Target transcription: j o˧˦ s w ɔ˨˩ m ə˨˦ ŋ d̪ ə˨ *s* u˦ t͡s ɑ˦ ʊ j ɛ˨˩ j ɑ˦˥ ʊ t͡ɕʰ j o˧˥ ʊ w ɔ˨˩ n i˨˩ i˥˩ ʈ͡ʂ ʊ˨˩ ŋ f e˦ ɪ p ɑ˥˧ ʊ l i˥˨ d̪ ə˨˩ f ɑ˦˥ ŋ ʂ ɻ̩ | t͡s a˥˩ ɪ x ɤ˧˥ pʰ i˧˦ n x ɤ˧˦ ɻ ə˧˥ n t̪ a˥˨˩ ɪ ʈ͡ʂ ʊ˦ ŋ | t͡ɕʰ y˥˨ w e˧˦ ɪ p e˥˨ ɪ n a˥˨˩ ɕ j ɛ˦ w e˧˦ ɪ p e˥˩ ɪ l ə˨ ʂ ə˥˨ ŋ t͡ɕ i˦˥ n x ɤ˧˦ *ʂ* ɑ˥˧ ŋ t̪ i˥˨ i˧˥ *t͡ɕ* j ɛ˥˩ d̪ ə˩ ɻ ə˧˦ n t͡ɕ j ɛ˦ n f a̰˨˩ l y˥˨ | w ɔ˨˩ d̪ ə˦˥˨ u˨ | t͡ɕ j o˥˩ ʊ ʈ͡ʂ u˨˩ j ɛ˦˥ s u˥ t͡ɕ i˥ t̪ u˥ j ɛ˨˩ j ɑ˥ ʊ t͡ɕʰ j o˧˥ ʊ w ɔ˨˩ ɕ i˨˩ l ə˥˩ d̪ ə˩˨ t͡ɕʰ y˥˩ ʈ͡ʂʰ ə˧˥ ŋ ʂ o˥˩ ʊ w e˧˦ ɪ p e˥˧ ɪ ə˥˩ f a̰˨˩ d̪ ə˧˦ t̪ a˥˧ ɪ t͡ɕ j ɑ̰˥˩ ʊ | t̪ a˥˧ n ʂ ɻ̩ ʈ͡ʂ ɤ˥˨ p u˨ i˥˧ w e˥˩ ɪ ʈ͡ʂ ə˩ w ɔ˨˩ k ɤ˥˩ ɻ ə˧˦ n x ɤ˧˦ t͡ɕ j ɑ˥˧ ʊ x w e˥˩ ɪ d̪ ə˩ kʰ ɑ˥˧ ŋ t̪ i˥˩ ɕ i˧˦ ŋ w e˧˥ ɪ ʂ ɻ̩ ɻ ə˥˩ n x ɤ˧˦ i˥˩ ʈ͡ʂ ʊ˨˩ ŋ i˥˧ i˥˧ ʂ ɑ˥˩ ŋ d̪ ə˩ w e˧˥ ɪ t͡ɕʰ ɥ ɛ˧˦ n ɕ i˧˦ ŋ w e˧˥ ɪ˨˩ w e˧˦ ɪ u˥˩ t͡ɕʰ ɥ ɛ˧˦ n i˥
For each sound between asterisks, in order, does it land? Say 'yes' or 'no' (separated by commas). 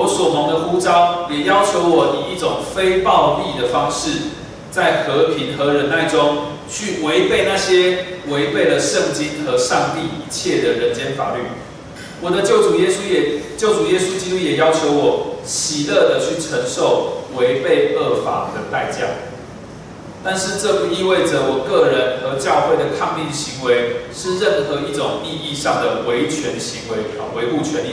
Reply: no, yes, no